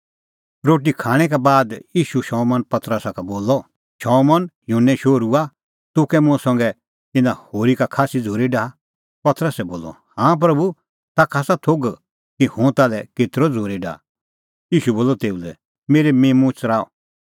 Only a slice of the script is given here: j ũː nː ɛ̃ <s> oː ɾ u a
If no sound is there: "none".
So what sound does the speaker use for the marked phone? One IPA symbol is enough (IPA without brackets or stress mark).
ʃ